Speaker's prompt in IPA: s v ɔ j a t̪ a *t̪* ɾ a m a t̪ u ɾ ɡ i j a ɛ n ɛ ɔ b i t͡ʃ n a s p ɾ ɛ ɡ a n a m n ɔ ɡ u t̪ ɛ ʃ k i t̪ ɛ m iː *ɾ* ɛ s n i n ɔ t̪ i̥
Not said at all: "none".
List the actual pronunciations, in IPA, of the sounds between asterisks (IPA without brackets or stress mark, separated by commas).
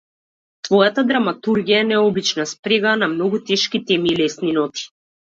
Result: d̪, l